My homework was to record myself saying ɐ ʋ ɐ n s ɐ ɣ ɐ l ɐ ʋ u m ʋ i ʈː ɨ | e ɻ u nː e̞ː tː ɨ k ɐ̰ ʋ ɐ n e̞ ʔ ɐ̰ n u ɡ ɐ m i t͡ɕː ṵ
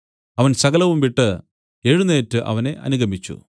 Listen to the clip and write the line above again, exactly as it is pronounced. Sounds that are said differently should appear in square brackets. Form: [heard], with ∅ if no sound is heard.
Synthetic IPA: ɐ ʋ ɐ n s ɐ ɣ ɐ l ɐ ʋ u m ʋ i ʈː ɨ | e ɻ u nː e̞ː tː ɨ [ʔ] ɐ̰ ʋ ɐ n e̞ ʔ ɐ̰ n u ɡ ɐ m i t͡ɕː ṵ